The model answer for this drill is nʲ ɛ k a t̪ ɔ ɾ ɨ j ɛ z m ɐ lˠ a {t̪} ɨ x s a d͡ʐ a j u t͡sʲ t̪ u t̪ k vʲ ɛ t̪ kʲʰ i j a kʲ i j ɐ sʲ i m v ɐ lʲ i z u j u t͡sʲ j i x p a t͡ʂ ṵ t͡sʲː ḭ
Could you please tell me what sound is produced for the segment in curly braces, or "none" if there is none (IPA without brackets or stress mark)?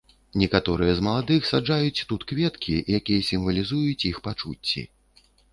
d̪